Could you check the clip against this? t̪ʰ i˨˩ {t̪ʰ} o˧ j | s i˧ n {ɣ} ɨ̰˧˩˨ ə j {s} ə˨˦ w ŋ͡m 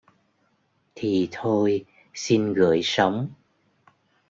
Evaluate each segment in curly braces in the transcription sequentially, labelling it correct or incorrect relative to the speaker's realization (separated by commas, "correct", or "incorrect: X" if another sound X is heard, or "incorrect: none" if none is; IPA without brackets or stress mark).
correct, correct, correct